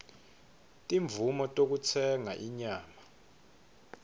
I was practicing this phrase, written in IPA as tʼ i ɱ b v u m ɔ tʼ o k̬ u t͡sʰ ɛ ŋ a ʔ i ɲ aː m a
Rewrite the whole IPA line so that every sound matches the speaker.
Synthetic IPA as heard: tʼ i ɱ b v u m ɔ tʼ o k̬ u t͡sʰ ɛ ŋ a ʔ i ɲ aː m a